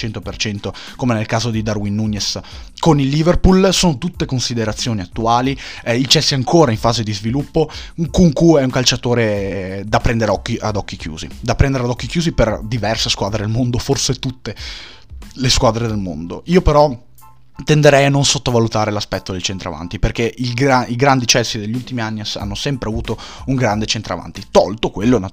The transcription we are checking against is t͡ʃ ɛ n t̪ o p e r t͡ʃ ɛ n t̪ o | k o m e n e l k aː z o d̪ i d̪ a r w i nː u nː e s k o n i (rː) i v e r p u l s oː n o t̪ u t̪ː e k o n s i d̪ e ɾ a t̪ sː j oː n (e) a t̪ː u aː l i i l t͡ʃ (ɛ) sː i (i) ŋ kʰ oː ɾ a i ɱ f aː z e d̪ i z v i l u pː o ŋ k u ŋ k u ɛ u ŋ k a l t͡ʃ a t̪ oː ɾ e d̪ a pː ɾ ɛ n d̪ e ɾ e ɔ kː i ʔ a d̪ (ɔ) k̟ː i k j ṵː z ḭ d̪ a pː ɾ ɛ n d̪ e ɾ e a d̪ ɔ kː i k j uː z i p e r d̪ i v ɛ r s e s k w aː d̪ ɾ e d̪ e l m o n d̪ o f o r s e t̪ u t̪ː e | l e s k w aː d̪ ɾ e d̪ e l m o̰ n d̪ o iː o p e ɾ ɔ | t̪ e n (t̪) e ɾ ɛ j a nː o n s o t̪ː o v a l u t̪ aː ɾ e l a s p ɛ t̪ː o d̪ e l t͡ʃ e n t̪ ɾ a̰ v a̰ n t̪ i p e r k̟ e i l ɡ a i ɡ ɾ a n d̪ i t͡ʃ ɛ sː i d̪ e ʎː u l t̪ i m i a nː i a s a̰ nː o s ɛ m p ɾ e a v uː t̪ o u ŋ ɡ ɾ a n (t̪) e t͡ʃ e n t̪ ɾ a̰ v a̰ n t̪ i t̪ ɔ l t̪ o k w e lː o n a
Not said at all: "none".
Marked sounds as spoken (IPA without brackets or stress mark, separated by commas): lː, i, ɛ, a, ɔ, d̪, d̪